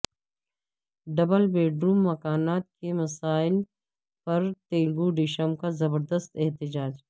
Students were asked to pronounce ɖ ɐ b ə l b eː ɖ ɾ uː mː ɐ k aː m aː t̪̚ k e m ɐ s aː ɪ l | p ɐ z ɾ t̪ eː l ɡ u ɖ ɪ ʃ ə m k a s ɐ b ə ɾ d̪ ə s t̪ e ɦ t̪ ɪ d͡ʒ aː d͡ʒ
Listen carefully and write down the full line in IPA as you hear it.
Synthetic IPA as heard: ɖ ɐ b ə l b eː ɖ ɾ uː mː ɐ k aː n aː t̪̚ k e m ɐ s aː ɪ l | p ɐ ɾ t̪ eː l ɡ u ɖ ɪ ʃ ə m k a z ɐ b ə ɾ d̪ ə s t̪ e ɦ t̪ ɪ d͡ʒ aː d͡ʒ